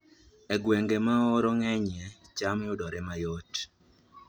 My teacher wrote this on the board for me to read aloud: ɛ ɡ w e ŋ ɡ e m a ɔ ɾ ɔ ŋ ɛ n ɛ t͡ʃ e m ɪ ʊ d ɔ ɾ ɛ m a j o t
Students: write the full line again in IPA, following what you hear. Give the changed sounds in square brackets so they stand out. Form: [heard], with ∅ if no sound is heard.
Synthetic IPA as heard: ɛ ɡ w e ŋ ɡ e m a ɔ ɾ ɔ ŋ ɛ [ɲ] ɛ t͡ʃ [a] m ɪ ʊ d ɔ ɾ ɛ m a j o t